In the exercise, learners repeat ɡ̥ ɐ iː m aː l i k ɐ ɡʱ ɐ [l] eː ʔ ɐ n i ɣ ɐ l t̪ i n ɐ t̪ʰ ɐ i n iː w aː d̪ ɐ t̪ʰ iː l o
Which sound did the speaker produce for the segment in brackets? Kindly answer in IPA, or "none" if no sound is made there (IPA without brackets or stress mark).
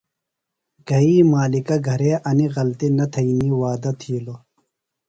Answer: ɾ